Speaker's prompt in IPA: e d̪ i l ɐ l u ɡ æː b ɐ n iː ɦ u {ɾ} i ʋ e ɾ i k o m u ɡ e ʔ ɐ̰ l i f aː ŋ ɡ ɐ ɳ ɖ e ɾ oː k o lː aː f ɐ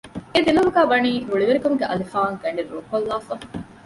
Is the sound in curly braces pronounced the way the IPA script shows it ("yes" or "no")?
no